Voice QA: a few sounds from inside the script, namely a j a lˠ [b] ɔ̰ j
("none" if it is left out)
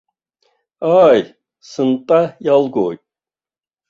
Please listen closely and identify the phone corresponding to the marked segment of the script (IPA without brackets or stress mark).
ɡ